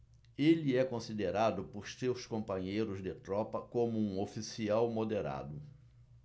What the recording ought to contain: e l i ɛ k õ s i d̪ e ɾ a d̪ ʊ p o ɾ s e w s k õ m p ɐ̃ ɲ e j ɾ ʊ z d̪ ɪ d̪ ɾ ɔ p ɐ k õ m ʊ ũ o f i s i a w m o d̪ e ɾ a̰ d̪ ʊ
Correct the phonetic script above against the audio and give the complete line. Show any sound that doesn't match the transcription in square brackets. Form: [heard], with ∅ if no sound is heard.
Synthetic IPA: e l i ɛ k õ s i d̪ e ɾ a d̪ ʊ p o ɾ s e w s k õ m p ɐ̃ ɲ e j ɾ ʊ z d̪ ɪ [t̪] ɾ ɔ p ɐ k õ m ʊ ũ o f i s i a w m o d̪ e ɾ a̰ d̪ ʊ